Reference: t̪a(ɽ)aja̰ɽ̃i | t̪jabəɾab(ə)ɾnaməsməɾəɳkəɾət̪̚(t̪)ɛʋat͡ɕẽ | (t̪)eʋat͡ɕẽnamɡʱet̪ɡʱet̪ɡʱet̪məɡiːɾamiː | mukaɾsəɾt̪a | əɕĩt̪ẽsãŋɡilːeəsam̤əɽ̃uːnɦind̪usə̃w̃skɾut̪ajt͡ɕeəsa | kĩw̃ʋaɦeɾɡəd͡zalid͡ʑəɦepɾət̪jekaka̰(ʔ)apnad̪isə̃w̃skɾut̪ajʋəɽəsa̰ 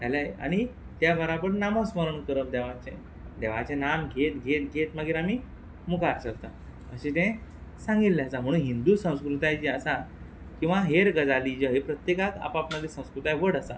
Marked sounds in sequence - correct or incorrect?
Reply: incorrect, correct, incorrect, incorrect, incorrect

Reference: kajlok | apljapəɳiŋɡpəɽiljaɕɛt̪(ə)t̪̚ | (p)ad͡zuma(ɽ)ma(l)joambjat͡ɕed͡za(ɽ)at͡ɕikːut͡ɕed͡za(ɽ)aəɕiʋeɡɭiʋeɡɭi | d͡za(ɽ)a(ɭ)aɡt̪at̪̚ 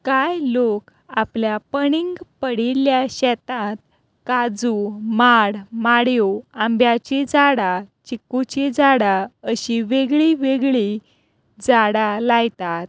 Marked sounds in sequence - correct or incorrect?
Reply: incorrect, incorrect, correct, incorrect, correct, correct, correct, incorrect

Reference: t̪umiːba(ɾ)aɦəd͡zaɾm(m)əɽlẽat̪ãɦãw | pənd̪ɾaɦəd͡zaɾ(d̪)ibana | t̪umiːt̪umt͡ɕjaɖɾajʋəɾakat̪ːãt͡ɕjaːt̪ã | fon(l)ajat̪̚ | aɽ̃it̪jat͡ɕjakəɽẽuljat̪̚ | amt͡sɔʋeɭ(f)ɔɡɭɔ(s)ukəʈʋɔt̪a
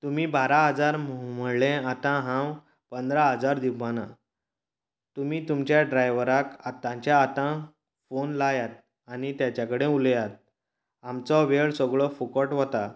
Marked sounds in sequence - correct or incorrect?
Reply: correct, correct, correct, correct, incorrect, incorrect

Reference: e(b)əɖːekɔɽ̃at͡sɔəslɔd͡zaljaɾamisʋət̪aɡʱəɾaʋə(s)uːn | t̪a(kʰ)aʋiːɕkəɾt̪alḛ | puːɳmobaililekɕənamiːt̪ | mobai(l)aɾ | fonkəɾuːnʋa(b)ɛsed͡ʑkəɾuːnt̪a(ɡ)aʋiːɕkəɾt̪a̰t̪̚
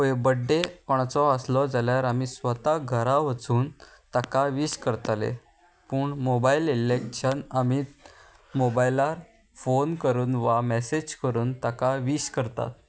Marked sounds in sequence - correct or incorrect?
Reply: correct, incorrect, incorrect, correct, incorrect, incorrect

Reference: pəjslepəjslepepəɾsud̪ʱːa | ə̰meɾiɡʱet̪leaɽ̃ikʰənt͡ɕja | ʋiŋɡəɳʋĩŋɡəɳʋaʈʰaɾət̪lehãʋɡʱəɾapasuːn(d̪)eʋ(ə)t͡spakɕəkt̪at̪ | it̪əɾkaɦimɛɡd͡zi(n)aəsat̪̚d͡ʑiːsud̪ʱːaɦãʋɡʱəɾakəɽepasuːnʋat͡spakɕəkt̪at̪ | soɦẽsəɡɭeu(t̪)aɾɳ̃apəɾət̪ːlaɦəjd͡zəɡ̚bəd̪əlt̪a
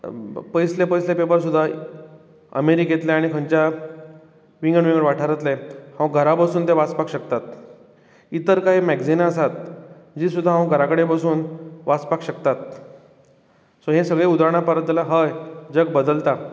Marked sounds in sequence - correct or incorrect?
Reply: incorrect, incorrect, correct, incorrect

